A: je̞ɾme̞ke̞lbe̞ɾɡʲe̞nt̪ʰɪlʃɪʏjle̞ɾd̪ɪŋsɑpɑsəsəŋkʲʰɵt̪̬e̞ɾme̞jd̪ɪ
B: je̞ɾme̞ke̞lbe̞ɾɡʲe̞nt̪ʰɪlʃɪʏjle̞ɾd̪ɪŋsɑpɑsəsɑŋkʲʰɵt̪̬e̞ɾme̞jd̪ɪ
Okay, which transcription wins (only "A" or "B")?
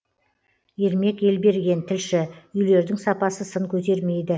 A